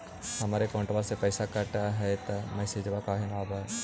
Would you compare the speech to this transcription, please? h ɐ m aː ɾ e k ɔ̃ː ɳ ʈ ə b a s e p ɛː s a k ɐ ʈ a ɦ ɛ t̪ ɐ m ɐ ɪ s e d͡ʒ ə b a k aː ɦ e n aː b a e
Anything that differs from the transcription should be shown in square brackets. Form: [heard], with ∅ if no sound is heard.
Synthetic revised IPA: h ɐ m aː ɾ e k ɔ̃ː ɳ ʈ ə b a s e p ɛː s a k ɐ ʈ a ɦ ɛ t̪ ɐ m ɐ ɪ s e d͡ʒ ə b a k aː ɦ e n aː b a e